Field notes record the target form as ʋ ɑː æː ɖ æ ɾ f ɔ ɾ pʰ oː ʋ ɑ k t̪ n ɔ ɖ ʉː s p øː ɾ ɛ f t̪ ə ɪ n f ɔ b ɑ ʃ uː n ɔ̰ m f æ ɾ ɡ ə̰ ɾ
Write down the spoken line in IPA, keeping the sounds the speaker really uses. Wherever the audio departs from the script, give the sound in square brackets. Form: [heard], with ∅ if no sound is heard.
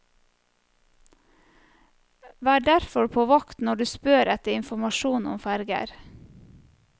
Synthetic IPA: ʋ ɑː æː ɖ æ ɾ f ɔ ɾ pʰ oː ʋ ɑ k t̪ n ɔ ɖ ʉː s p øː ɾ ɛ [∅] t̪ ə ɪ n f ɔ [m] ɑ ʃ uː n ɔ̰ m f æ ɾ ɡ ə̰ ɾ